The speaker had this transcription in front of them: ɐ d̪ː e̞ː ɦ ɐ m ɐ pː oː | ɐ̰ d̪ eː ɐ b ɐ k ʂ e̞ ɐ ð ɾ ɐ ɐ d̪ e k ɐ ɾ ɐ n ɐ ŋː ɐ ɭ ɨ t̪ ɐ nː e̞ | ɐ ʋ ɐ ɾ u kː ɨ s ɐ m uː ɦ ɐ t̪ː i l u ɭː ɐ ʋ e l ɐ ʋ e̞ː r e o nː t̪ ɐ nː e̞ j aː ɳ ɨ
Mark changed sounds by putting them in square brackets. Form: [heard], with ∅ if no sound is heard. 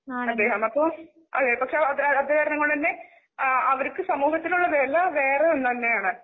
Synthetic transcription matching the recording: ɐ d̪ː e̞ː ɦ ɐ m ɐ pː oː | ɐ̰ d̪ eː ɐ [p] ɐ k ʂ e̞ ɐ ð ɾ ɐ ɐ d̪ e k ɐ ɾ ɐ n ɐ ŋː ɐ ɭ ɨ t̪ ɐ nː e̞ | ɐ ʋ ɐ ɾ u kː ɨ s ɐ m uː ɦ ɐ t̪ː i l u ɭː ɐ ʋ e l ɐ ʋ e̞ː r e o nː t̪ ɐ nː e̞ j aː ɳ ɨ